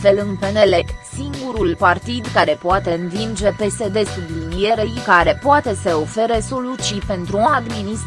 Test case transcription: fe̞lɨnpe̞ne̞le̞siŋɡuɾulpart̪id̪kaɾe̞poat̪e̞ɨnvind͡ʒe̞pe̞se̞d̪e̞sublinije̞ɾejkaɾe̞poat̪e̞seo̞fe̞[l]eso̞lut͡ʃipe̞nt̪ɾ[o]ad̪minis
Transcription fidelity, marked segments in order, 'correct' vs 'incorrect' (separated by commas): incorrect, incorrect